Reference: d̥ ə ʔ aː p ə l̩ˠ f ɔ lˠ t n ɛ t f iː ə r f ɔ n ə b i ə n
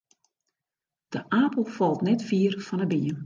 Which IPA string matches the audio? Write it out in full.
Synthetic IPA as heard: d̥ ə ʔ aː p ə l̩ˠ f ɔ lˠ t n ɛ t f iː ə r f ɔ n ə b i ə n